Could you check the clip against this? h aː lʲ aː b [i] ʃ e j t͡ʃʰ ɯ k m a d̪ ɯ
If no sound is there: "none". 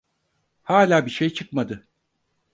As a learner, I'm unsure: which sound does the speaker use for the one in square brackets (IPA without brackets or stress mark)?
i